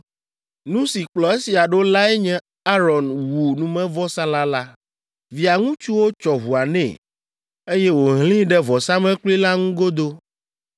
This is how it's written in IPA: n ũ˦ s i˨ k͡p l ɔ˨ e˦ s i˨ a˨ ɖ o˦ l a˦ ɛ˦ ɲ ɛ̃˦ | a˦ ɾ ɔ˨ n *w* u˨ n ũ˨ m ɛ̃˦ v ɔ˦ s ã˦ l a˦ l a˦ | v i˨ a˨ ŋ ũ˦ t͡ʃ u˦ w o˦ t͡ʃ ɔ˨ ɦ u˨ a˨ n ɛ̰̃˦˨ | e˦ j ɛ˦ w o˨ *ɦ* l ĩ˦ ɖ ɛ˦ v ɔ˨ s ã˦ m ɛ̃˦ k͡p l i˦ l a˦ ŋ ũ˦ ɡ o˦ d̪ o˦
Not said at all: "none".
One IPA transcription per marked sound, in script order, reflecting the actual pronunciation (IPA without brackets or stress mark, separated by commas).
w, ɦ